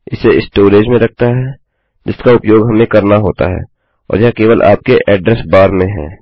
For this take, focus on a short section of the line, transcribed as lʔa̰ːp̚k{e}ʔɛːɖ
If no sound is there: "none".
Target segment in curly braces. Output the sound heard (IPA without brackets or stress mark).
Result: e